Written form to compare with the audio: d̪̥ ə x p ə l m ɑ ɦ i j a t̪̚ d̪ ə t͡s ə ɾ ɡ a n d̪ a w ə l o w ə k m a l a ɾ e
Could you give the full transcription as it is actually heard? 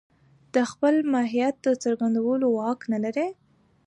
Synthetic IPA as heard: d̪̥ ə x p ə l m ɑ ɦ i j a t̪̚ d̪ ə t͡s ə ɾ ɡ a n d̪ a w ə l o w ɑ k n a l a ɾ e

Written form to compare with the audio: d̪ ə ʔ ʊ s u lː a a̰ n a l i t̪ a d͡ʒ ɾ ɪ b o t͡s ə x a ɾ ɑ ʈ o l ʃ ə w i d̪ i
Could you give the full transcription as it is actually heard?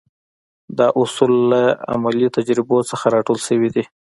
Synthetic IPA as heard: d̪ ɑ ʔ ʊ s u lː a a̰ m a l i t̪ a d͡ʒ ɾ ɪ b o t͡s ə x a ɾ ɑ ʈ o l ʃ ə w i d̪ i

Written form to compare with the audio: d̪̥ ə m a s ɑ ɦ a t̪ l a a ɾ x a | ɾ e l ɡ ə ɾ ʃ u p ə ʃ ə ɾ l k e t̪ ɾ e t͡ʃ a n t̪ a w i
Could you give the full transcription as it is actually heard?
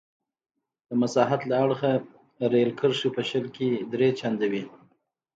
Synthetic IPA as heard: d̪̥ ə m a s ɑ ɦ a t̪ l a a ɽ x a | ɾ e l k ə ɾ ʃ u p ə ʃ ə l k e d̪ ɾ e t͡ʃ a n d̪ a w i

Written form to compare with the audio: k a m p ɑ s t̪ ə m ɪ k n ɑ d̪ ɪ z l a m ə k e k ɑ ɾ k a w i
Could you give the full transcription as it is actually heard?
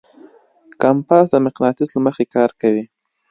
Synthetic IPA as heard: k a m p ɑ s d̪ ə m ɪ q n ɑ t̪ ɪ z l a m ə x e k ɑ ɾ k a w i

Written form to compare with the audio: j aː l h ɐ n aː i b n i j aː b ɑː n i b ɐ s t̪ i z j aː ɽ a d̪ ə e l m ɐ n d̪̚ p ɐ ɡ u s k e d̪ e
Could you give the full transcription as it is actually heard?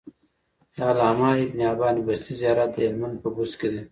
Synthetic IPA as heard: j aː l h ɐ m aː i b n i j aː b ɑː n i b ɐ s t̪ i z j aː ɾ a d̪ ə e l m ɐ n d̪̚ p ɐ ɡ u s k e d̪ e

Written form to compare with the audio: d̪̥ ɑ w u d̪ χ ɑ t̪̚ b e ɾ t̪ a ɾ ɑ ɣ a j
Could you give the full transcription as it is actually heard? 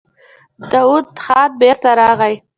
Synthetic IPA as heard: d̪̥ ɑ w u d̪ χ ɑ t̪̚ b e ɾ t̪ a ɾ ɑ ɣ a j

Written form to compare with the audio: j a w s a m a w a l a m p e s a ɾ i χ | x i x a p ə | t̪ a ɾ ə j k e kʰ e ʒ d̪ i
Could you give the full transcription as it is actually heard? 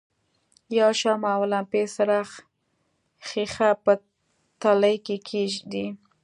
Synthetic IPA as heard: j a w ʃ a m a w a l a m p e s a ɾ a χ | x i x a p ə | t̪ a l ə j k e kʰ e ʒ d̪ i

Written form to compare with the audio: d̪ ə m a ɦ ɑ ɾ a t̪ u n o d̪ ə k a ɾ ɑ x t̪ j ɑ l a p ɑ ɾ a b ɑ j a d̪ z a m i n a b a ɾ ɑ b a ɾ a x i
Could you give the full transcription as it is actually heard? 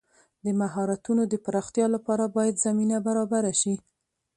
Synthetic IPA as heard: d̪ ə m a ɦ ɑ ɾ a t̪ u n o d̪ ə p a ɾ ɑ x t̪ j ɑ l a p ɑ ɾ a b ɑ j a d̪ z a m i n a b a ɾ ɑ b a ɾ a ʃ i

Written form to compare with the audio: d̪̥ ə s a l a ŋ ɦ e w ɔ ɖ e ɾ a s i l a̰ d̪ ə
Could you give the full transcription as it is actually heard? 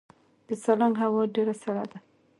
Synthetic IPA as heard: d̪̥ ə s a l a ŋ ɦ a w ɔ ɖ e ɾ a s a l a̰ d̪ a

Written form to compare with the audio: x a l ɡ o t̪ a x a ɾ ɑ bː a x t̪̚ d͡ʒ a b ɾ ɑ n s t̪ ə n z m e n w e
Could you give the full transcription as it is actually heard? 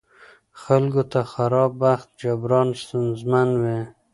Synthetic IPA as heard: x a l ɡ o t̪ a x a ɾ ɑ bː a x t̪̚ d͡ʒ a b ɾ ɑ n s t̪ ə n z m a n w e

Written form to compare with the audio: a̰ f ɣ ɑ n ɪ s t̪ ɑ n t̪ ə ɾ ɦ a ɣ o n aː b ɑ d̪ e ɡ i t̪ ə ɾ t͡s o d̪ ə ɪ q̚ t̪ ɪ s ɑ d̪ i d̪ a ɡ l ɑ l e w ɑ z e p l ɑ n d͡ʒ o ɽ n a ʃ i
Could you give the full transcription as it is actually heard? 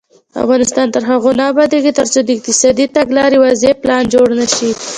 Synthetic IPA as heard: a̰ f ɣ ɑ n ɪ s t̪ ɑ n t̪ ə ɾ ɦ a ɣ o n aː b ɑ d̪ e ɡ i t̪ ə ɾ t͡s o d̪ ə ɪ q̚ t̪ ɪ s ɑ d̪ i t̪ a ɡ l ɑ ɾ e w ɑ z e p l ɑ n d͡ʒ o ɽ n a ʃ i

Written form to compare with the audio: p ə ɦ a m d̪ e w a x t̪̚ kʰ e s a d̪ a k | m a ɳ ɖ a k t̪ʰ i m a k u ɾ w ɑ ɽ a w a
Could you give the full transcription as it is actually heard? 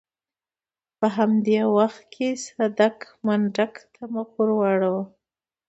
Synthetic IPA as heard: p ə ɦ a m d̪ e w a x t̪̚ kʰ e s a d̪ a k | m a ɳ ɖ a k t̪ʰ a m a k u ɾ w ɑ ɽ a w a

